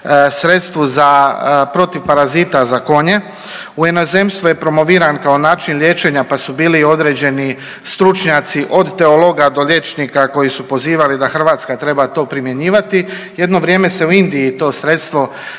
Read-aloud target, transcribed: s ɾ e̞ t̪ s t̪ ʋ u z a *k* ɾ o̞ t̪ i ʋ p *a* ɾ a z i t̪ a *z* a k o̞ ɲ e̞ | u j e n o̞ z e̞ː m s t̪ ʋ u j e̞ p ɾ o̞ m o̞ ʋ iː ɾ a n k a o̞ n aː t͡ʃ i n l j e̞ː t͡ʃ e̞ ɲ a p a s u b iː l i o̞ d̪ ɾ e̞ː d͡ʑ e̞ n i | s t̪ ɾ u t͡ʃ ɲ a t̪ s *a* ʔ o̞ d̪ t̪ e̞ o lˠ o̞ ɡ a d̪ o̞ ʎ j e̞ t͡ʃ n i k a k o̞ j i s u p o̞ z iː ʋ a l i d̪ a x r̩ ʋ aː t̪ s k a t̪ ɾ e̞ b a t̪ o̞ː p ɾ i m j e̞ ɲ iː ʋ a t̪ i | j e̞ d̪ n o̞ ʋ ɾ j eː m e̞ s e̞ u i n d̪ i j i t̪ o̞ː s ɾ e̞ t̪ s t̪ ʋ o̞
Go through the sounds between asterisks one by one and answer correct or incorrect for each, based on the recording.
incorrect, correct, correct, incorrect

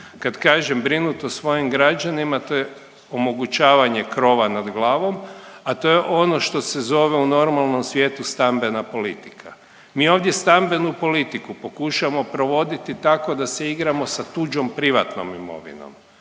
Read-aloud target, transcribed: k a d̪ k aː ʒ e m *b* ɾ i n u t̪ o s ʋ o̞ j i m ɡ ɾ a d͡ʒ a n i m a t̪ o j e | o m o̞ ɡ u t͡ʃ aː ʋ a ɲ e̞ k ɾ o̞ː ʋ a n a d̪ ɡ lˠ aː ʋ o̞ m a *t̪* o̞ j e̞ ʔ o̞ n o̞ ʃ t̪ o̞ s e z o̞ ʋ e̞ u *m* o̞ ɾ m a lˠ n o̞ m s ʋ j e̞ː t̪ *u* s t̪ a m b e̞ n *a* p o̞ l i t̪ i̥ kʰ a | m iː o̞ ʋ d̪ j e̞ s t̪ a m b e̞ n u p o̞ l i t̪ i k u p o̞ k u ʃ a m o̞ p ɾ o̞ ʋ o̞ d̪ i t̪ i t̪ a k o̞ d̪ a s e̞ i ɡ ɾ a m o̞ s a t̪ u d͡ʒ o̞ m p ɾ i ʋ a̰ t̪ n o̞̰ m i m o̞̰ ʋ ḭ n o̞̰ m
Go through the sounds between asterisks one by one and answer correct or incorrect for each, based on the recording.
correct, correct, incorrect, correct, correct

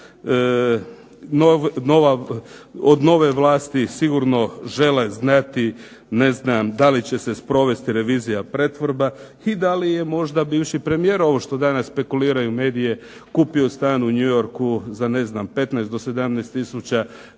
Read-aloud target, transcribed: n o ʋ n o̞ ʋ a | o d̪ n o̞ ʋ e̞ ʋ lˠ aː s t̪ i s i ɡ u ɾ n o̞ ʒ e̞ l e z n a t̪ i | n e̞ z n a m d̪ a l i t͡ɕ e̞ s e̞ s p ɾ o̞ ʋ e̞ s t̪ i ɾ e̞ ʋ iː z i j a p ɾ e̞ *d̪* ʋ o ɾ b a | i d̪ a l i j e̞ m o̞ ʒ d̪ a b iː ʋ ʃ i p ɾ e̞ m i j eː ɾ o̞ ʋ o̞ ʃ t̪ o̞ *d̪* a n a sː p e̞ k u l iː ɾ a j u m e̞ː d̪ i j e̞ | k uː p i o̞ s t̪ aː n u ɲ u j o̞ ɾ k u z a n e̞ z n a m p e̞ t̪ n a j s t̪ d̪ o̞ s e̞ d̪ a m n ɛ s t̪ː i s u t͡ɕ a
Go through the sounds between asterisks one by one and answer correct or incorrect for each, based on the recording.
incorrect, correct

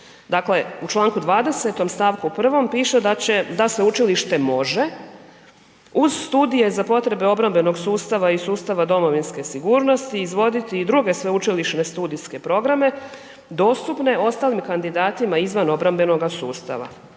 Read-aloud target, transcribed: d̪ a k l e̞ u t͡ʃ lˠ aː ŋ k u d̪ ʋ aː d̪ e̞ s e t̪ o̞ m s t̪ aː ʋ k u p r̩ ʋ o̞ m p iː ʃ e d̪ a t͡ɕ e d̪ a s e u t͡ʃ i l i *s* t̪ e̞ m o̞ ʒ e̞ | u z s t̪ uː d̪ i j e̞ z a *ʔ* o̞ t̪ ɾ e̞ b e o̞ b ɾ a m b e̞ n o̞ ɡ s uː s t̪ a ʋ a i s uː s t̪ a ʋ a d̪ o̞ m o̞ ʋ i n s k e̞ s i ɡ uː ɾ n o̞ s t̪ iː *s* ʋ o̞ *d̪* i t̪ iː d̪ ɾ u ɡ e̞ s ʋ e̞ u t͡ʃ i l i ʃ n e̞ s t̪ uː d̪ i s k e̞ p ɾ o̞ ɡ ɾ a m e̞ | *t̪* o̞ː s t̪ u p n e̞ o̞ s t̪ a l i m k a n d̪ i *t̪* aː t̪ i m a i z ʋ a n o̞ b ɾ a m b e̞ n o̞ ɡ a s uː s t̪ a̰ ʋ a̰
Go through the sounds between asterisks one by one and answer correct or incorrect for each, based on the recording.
incorrect, incorrect, incorrect, correct, incorrect, incorrect

